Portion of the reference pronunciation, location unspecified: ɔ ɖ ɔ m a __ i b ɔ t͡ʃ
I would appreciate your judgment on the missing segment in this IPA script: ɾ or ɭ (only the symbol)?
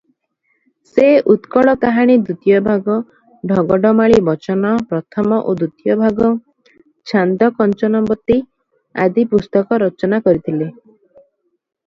ɭ